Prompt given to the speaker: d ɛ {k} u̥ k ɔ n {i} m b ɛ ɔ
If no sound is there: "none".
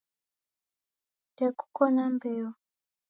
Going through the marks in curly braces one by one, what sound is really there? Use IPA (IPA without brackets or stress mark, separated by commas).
k, a